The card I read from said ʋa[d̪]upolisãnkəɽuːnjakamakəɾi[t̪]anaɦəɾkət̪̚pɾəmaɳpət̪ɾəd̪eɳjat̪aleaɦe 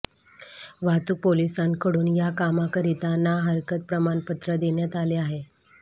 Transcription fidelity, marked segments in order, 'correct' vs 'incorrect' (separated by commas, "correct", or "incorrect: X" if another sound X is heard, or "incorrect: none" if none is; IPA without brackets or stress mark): incorrect: t̪, correct